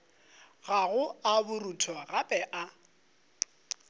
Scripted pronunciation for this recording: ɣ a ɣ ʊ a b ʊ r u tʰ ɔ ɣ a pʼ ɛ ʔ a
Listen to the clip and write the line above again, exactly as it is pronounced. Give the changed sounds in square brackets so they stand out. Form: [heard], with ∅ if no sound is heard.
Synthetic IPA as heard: ɣ a ɣ ʊ a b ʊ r u tʰ ɔ ɣ a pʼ ɛ ʔ a